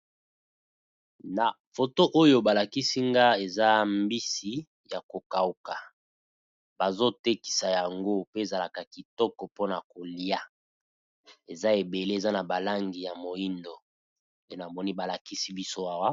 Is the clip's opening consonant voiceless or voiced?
voiced